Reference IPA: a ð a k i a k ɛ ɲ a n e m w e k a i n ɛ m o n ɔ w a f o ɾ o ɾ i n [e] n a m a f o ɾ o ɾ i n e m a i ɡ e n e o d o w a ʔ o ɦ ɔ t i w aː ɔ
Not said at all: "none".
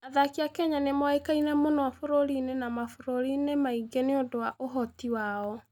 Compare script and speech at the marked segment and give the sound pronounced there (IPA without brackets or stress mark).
e